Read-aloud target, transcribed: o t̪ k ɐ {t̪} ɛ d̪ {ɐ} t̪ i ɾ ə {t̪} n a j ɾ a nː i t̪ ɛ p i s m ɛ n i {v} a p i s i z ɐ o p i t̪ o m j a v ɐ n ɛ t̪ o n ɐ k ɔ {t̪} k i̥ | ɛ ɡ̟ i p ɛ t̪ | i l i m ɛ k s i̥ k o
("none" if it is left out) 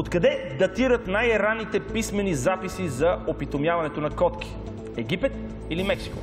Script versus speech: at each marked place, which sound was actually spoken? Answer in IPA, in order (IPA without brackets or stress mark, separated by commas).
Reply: d̪, ɐ, t̪, z, t̪